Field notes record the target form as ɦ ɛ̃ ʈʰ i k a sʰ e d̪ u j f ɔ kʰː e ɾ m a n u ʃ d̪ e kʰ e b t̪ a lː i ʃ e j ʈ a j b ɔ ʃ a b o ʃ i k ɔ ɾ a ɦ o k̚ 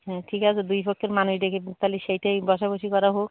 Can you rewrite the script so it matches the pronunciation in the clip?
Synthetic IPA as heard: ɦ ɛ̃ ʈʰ i k a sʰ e d̪ u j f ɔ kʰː e ɾ m a n u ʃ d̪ e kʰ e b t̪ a l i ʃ e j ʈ a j b ɔ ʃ a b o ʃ i k ɔ ɾ a ɦ o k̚